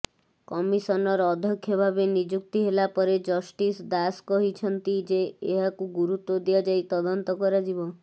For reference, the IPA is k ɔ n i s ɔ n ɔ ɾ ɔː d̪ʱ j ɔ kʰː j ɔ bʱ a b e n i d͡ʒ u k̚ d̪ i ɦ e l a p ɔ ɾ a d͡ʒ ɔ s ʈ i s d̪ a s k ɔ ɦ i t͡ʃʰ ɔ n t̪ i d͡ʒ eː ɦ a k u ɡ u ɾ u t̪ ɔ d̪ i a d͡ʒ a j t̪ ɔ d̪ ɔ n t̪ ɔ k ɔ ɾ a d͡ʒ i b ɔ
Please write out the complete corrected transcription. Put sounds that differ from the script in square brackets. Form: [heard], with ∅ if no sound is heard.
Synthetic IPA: k ɔ [m] i s ɔ n ɔ ɾ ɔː d̪ʱ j ɔ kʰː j ɔ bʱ a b e n i d͡ʒ u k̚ [t̪] i ɦ e l a p ɔ ɾ [e] d͡ʒ ɔ s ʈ i s d̪ a s k ɔ ɦ i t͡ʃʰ ɔ n t̪ i d͡ʒ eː ɦ a k u ɡ u ɾ u t̪ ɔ d̪ i a d͡ʒ a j t̪ ɔ d̪ ɔ n t̪ ɔ k ɔ ɾ a d͡ʒ i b ɔ